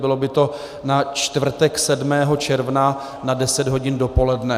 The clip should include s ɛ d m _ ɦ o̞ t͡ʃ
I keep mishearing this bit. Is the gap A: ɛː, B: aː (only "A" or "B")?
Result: A